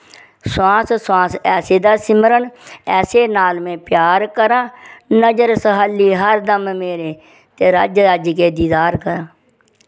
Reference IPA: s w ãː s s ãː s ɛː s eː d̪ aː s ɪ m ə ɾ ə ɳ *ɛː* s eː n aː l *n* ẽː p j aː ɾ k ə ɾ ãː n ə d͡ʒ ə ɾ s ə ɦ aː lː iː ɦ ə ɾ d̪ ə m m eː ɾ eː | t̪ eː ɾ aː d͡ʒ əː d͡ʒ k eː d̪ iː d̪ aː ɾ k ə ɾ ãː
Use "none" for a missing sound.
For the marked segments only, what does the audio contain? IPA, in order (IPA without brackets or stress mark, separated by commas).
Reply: ɛː, m